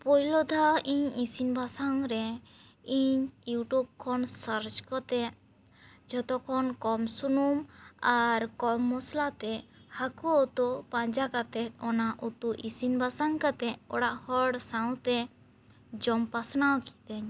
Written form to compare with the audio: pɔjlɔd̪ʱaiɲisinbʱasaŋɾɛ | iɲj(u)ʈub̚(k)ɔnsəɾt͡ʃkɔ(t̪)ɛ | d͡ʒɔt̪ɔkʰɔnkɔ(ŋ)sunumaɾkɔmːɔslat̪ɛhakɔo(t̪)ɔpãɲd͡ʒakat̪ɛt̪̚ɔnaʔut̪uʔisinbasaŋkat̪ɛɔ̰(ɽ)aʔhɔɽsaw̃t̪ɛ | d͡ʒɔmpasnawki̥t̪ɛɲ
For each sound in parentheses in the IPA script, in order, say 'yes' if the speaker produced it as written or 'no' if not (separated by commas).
yes, no, yes, no, yes, yes